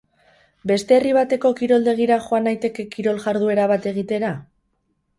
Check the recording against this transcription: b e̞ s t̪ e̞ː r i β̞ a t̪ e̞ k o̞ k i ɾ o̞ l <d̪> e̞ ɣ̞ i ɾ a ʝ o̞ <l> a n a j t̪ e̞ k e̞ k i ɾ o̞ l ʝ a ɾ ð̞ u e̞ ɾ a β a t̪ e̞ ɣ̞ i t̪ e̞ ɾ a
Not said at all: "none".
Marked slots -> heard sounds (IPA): d̪, none

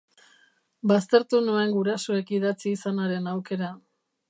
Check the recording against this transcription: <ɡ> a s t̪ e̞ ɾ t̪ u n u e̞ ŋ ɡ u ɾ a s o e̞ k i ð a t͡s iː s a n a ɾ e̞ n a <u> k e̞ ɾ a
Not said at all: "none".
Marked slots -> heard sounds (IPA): b, w

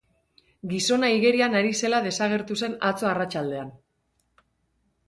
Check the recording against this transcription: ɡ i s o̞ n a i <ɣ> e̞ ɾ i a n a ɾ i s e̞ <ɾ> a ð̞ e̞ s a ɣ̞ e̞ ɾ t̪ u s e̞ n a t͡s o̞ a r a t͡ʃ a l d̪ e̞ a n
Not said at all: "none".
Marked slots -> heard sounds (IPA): ɣ, l

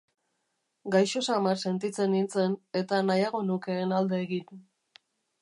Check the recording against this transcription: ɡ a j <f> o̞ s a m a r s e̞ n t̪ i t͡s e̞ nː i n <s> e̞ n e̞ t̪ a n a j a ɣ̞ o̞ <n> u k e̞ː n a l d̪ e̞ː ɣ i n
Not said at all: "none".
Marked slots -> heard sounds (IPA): ʃ, t͡s, n

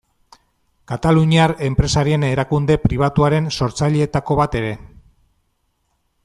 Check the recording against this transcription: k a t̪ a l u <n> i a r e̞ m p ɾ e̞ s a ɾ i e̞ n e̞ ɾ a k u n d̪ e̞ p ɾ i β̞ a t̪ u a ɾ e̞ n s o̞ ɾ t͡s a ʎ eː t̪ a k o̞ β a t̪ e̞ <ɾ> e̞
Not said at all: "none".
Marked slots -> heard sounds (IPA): ɲ, ɾ

